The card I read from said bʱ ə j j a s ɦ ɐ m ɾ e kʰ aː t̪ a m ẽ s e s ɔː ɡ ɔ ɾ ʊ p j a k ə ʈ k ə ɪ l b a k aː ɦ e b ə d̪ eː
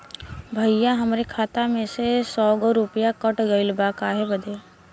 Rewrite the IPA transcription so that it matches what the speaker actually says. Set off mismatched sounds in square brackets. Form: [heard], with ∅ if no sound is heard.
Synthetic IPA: bʱ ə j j a [∅] ɦ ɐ m ɾ e kʰ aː t̪ a m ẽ s e s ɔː ɡ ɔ ɾ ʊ p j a k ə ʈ [ɡ] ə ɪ l b a k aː ɦ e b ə d̪ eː